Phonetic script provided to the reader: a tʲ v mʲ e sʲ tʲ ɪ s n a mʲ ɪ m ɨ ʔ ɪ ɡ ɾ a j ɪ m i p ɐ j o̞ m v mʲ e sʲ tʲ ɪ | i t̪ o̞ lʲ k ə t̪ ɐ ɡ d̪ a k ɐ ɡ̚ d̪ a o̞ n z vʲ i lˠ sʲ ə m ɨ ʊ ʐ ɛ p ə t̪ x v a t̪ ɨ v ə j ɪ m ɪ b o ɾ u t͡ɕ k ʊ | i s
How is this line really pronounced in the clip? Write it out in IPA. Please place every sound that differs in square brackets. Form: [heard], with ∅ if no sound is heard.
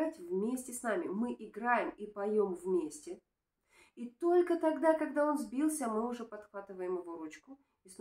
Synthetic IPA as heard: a tʲ v mʲ e sʲ tʲ ɪ s n a mʲ ɪ m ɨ ʔ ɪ ɡ ɾ a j ɪ m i p ɐ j o̞ m v mʲ e sʲ tʲ ɪ | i t̪ o̞ lʲ k ə t̪ ɐ ɡ d̪ a k ɐ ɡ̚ d̪ a o̞ n z [bʲ] i lˠ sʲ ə m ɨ ʊ ʐ ɛ p [ɐ] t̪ x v a t̪ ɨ v ə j ɪ m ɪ [v] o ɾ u t͡ɕ k ʊ | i s